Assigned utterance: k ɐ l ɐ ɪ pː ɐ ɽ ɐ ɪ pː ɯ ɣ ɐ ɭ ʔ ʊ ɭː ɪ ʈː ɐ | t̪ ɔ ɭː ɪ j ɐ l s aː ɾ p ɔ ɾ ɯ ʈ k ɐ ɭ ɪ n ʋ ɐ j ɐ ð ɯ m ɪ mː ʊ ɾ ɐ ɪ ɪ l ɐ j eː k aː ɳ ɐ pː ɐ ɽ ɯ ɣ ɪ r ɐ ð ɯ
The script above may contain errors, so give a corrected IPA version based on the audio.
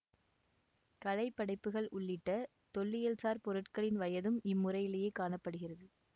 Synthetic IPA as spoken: k ɐ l ɐ ɪ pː ɐ ɽ ɐ ɪ pː ɯ ɣ ɐ ɭ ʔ ʊ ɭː ɪ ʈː ɐ | t̪ ɔ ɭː ɪ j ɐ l s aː ɾ p ɔ ɾ ɯ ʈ k ɐ ɭ ɪ n ʋ ɐ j ɐ ð ɯ m ɪ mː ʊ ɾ ɐ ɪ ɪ l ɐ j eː k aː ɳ ɐ pː ɐ ɽ ɯ ɣ ɪ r ɐ ð ɯ

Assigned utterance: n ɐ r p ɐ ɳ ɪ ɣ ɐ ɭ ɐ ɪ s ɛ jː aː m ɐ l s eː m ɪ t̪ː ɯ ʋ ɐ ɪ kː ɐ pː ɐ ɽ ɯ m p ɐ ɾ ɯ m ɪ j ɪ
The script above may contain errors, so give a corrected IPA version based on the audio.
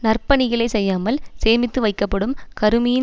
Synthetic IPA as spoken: n ɐ r p ɐ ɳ ɪ ɣ ɐ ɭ ɐ ɪ s ɛ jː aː m ɐ l s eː m ɪ t̪ː ɯ ʋ ɐ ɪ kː ɐ pː ɐ ɽ ɯ m k ɐ ɾ ɯ m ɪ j ɪ

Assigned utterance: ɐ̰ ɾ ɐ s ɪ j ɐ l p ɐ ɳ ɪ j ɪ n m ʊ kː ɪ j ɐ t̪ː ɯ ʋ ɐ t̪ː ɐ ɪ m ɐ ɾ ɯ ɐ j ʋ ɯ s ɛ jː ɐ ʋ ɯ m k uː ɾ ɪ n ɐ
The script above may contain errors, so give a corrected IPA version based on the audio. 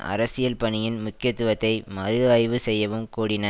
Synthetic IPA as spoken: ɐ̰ ɾ ɐ s ɪ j ɐ l p ɐ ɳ ɪ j ɪ n m ʊ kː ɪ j ɐ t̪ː ɯ ʋ ɐ t̪ː ɐ ɪ m ɐ ɾ ɯ ɐ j ʋ ɯ s ɛ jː ɐ ʋ ɯ m k uː ɽ ɪ n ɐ

